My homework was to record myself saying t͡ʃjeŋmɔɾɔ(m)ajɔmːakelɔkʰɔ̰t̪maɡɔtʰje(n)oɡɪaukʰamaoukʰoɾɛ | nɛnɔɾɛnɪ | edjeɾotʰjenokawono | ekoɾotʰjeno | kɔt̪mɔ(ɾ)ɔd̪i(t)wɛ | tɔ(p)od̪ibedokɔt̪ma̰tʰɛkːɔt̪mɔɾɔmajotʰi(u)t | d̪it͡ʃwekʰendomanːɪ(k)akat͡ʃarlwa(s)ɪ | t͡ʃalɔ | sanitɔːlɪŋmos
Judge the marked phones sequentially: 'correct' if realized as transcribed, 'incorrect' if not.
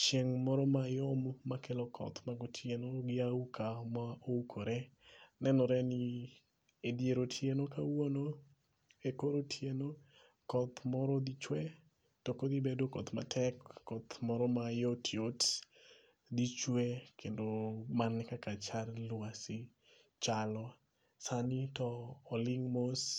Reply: correct, correct, correct, incorrect, incorrect, incorrect, correct, correct

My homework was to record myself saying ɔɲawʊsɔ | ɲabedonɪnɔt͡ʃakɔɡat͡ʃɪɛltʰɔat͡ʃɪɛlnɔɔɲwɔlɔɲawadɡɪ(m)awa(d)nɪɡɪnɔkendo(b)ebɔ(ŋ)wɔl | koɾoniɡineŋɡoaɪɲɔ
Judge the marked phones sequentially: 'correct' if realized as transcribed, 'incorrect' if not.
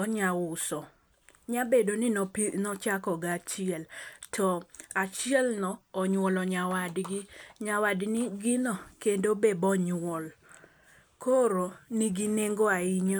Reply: incorrect, correct, correct, incorrect

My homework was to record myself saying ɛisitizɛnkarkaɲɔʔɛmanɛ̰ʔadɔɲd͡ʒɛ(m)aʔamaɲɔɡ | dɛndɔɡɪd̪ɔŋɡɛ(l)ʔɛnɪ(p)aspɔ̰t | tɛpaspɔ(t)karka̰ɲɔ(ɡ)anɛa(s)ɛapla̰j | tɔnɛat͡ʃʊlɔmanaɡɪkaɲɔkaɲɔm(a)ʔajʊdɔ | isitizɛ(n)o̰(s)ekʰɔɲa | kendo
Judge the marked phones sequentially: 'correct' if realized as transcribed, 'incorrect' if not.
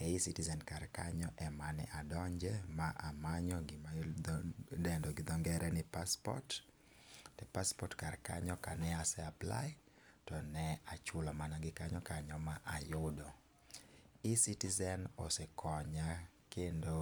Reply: correct, incorrect, correct, correct, incorrect, correct, correct, correct, correct

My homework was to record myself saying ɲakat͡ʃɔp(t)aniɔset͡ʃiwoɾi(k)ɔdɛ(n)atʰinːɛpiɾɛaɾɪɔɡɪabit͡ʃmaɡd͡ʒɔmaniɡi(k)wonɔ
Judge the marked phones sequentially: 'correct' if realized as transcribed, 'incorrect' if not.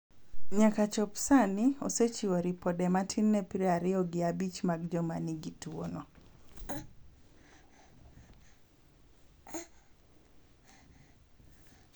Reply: incorrect, incorrect, incorrect, incorrect

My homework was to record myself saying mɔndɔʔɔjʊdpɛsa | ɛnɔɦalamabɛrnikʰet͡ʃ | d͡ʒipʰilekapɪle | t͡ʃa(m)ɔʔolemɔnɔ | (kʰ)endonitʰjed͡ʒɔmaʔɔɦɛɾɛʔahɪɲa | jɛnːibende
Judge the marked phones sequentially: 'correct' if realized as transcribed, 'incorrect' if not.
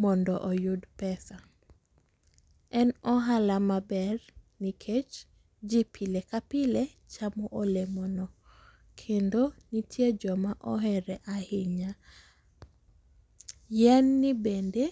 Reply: correct, correct

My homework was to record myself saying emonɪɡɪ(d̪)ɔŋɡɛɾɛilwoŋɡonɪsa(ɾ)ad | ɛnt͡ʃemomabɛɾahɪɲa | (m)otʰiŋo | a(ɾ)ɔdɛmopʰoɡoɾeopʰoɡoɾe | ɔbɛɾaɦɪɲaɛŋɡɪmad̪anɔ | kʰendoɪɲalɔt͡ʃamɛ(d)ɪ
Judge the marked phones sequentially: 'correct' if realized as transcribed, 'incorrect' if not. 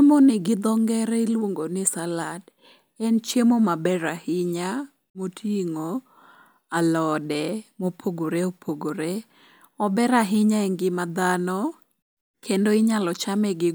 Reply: correct, incorrect, correct, incorrect, incorrect

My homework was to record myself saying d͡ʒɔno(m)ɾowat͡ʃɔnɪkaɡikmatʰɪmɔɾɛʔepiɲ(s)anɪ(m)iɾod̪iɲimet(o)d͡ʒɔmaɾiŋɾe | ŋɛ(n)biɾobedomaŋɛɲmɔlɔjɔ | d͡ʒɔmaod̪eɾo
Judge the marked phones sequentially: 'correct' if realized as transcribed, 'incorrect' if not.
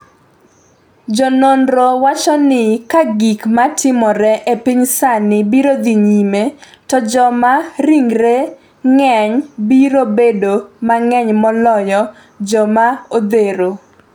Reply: incorrect, correct, incorrect, incorrect, incorrect

